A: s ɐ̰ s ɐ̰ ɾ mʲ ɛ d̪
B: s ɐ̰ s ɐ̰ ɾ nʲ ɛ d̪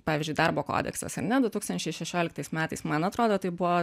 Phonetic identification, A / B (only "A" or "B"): B